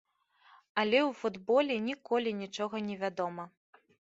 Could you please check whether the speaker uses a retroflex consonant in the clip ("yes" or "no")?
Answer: yes